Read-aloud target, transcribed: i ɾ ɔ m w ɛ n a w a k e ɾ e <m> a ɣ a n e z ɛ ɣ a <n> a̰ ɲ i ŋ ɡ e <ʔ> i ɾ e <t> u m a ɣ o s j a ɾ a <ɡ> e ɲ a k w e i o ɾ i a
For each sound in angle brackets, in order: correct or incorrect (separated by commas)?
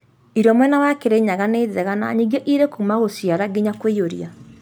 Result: incorrect, correct, correct, incorrect, correct